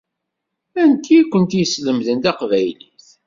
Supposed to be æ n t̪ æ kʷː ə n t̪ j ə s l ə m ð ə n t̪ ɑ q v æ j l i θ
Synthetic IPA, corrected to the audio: æ n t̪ i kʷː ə n t̪ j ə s l ə m ð ə n t̪ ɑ q v æ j l i θ